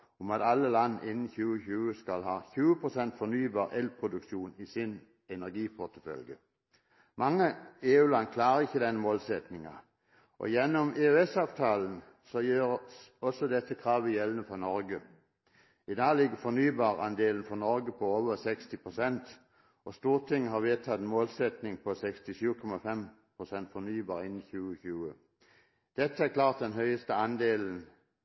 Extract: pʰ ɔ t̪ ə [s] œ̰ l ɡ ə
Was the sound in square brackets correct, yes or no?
no